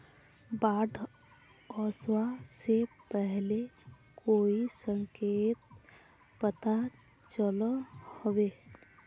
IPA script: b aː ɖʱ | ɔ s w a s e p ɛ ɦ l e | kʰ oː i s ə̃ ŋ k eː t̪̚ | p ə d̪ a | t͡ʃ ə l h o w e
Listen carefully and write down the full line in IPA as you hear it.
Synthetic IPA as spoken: b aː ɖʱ | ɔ s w a s e p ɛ ɦ l e | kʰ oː i s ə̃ ŋ k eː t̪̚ | p ə t̪ a | t͡ʃ ə l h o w e